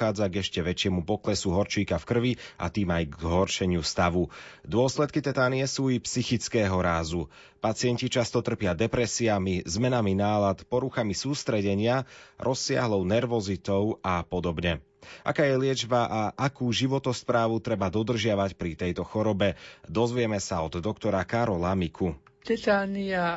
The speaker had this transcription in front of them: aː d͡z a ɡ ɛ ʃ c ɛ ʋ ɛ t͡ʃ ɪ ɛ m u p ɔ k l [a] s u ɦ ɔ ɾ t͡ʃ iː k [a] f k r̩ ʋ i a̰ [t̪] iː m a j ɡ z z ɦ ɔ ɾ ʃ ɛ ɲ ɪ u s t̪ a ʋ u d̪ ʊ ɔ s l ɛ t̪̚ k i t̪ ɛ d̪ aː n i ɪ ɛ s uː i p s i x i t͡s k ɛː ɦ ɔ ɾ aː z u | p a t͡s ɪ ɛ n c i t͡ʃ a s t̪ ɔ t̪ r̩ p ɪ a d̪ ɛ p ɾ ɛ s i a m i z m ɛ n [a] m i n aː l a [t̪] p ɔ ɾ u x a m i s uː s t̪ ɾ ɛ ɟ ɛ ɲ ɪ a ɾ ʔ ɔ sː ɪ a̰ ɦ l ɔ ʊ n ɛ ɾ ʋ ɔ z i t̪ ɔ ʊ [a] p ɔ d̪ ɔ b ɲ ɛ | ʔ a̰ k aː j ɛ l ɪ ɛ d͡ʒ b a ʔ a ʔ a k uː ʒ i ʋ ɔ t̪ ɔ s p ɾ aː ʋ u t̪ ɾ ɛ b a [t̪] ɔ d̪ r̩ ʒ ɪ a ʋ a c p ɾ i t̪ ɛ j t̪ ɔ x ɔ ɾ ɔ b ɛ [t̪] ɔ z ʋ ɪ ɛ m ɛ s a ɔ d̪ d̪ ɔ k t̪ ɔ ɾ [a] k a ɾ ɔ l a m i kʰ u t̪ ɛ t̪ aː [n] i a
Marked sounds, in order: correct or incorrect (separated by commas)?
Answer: incorrect, correct, correct, correct, correct, correct, incorrect, incorrect, correct, correct